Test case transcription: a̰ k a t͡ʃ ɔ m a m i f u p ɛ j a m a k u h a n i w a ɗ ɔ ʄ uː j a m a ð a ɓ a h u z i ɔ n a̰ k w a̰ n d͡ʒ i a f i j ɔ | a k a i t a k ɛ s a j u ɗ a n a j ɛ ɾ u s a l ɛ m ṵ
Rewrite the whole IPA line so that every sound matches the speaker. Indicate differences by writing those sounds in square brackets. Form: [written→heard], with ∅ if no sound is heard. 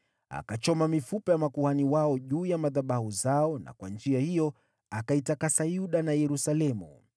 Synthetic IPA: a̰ k a t͡ʃ ɔ m a m i f u p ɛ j a m a k u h a n i w a [ɗ→∅] ɔ ʄ uː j a m a ð a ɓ a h u z [i→a] ɔ n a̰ k w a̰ n d͡ʒ i a [f→h] i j ɔ | a k a i t a k [ɛ→a] s a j u ɗ a n a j ɛ ɾ u s a l ɛ m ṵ